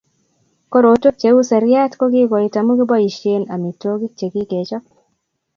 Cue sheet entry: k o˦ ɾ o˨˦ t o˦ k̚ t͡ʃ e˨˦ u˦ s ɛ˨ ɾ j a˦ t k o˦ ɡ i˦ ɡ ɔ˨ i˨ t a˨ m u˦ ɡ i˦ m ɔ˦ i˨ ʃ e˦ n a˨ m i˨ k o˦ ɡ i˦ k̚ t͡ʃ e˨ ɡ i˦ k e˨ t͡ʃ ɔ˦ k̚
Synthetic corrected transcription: k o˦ ɾ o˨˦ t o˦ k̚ t͡ʃ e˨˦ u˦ s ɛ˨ ɾ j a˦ t k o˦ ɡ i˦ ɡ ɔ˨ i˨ t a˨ m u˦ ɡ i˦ b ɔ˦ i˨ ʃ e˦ n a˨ m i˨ t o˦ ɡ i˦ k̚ t͡ʃ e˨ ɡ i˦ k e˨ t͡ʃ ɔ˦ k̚

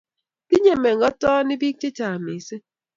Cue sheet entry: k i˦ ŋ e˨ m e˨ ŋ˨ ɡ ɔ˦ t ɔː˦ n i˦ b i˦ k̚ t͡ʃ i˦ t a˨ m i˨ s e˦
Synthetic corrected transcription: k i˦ ɲ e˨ m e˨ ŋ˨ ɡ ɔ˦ t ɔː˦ n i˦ b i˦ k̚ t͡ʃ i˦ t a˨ m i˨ s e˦

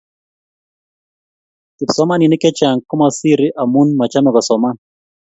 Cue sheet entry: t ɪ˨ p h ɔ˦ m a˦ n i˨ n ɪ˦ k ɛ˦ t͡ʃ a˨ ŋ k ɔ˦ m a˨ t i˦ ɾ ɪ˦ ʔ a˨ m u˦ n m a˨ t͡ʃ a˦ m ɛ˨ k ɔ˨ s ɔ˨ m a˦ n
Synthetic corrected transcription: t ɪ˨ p s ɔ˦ m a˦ n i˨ n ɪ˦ k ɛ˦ t͡ʃ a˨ ŋ k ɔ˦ m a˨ s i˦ ɾ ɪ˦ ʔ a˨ m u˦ n m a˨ t͡ʃ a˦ m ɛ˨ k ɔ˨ s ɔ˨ m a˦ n

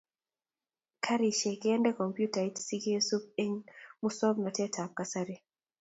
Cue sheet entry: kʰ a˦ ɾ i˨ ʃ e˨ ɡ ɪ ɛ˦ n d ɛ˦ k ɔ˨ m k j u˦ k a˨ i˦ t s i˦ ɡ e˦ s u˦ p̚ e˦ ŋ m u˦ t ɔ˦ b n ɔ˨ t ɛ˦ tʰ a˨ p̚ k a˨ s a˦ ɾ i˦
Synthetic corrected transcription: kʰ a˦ ɾ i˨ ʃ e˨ k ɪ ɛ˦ n d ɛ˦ k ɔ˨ m p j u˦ t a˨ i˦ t s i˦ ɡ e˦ s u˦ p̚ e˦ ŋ m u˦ s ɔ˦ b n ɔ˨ t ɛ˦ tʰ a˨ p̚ k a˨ s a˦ ɾ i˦

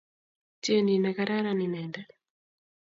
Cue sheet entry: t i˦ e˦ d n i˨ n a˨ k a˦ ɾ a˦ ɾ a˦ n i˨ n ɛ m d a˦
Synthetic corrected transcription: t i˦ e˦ n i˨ n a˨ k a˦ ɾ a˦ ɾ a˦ n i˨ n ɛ n d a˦

